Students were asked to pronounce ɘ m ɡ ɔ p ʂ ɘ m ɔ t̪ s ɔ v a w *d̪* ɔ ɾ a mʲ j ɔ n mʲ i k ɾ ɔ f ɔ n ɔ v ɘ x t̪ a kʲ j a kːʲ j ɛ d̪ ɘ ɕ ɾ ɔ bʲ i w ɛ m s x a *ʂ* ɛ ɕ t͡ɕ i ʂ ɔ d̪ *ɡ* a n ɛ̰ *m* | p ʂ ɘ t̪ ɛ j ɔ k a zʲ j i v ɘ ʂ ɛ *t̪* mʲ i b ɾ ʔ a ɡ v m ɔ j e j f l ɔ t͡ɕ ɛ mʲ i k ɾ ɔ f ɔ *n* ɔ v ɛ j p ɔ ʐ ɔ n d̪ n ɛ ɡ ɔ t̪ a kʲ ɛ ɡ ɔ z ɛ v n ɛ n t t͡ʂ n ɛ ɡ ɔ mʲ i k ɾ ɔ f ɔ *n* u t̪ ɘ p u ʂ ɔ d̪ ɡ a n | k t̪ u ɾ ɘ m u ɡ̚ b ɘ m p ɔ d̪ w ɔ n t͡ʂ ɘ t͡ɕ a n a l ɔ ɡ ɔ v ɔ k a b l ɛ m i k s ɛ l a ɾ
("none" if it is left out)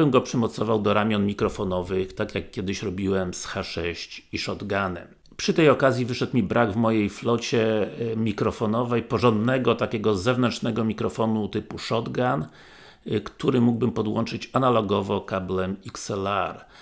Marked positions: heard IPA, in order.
d̪, ʂ, ɡ, m, t̪, n, n

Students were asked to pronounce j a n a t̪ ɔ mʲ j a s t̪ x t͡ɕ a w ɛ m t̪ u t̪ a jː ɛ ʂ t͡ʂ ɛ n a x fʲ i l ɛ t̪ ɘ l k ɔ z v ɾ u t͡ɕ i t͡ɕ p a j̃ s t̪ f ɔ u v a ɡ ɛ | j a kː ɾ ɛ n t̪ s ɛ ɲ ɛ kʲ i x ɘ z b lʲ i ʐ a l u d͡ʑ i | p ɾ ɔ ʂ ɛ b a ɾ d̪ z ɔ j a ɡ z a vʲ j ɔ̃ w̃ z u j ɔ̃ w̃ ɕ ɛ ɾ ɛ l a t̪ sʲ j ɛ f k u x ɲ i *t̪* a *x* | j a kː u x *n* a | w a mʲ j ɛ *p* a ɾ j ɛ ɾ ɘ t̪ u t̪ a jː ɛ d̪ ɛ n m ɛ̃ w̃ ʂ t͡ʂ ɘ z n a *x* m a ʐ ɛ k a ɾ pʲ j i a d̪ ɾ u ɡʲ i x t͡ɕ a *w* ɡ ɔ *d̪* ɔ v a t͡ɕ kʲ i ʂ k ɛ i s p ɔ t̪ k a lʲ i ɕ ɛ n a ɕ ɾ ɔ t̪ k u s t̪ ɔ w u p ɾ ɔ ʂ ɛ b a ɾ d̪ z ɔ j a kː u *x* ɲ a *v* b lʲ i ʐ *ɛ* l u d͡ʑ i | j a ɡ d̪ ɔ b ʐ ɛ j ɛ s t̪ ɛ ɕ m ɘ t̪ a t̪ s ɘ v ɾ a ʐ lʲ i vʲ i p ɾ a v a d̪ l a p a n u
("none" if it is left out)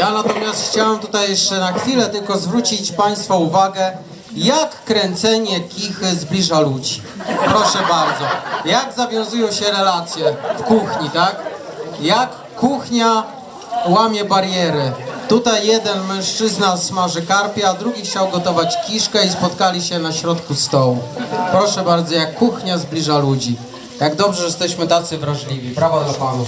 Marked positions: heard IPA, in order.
t̪, k, ɲ, b, s, w, t̪, x, z, a

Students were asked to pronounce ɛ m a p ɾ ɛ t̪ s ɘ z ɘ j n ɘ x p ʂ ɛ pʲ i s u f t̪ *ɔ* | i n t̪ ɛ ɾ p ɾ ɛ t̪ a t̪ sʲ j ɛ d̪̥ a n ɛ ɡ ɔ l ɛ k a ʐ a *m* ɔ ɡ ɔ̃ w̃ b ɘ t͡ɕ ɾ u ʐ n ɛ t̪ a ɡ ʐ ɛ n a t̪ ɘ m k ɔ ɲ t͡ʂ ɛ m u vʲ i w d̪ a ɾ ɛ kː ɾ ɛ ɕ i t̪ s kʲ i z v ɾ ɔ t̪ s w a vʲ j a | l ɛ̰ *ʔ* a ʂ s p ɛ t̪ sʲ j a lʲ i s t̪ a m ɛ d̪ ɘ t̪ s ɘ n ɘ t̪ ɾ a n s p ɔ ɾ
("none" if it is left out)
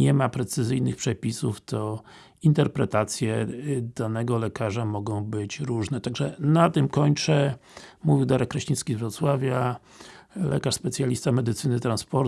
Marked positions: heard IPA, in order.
ɔ, m, k

